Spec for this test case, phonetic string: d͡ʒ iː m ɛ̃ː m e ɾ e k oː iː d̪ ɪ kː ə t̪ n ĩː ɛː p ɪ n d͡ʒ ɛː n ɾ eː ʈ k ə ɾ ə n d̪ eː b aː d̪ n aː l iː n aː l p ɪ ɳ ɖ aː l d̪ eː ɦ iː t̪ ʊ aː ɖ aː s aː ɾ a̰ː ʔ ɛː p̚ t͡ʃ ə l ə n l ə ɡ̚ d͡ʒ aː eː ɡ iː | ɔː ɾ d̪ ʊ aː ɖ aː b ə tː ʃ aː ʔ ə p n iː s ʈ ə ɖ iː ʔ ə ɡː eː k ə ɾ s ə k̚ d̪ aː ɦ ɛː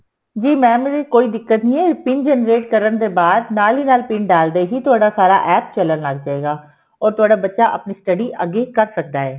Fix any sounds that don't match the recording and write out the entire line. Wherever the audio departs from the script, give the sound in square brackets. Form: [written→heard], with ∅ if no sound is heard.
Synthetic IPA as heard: d͡ʒ iː m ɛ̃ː m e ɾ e k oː iː d̪ ɪ kː ə t̪ n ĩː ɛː p ɪ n d͡ʒ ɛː n ɾ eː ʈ k ə ɾ ə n d̪ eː b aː d̪ n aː l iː n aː l p ɪ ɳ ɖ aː l d̪ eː ɦ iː t̪ ʊ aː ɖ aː s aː ɾ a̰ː ʔ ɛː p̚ t͡ʃ ə l ə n l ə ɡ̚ d͡ʒ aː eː ɡ [iː→aː] | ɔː ɾ [d̪→t̪] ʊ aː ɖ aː b ə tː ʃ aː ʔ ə p n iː s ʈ ə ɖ iː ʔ ə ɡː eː k ə ɾ s ə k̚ d̪ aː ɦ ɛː